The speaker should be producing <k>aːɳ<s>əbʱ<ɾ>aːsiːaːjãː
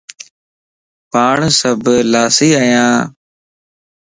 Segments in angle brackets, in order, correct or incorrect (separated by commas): incorrect, correct, incorrect